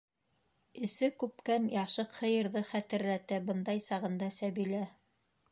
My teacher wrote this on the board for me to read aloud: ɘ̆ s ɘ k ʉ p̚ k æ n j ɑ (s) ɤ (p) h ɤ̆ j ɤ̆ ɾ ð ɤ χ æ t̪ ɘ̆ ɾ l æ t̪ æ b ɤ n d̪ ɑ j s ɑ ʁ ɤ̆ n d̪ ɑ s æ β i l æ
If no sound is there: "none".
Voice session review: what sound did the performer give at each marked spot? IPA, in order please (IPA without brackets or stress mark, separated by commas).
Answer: ʃ, q